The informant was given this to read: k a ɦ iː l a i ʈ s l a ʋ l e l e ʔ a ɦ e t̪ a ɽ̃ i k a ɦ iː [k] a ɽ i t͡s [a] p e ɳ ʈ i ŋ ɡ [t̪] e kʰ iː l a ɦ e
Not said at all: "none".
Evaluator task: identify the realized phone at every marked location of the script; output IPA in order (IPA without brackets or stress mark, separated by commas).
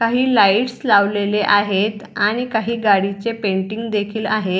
ɡ, e, d̪